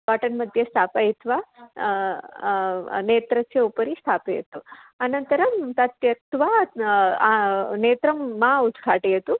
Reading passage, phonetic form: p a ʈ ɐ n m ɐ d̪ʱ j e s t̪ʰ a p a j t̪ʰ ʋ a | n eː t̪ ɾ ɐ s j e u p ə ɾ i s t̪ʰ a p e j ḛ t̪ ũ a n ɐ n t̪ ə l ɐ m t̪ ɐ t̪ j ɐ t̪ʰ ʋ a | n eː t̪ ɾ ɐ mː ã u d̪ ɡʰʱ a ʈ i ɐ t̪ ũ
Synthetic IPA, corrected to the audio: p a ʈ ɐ n m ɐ d̪ʱ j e s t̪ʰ a p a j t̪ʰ ʋ a | n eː t̪ ɾ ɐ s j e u p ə ɾ i s t̪ʰ a p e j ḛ t̪ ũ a n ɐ n t̪ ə ɾ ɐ m t̪ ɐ t̪ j ɐ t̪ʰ ʋ a | n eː t̪ ɾ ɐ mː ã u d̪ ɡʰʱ a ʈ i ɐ t̪ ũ